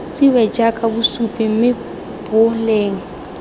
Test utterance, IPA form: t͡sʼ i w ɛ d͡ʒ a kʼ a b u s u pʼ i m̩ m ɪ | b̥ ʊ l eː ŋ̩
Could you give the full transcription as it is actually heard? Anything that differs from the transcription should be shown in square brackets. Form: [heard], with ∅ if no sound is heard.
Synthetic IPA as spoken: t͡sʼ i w ɛ d͡ʒ a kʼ a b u s u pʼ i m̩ m ɪ | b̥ ʊ l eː ŋ̩